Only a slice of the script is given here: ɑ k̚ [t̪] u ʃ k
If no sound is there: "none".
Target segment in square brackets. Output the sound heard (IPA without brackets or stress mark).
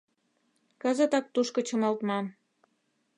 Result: t̪